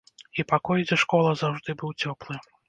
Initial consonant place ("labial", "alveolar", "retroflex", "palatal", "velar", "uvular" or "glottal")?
labial